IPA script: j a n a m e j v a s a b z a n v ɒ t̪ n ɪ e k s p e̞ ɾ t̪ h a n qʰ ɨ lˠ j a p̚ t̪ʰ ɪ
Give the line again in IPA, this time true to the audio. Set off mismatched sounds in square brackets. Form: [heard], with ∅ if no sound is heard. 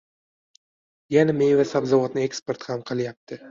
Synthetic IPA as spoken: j a n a m e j v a s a b z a [∅] v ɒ t̪ n ɪ e k s p e̞ ɾ t̪ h a [m] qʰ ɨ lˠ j a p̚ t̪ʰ ɪ